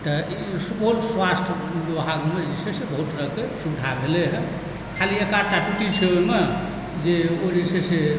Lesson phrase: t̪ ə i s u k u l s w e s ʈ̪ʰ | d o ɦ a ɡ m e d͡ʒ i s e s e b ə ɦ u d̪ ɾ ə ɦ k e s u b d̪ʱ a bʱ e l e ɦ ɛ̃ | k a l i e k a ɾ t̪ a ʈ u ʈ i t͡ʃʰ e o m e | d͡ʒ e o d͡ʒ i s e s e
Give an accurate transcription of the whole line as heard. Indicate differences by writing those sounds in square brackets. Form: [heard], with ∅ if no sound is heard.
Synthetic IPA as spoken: t̪ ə i s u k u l s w [a] s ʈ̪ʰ | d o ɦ a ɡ m e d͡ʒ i s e s e b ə ɦ u [t̪] ɾ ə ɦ k e s u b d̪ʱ a bʱ e l e ɦ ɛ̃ | [kʰ] a l i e k a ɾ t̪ a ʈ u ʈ i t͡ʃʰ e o m e | d͡ʒ e o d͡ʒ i s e s e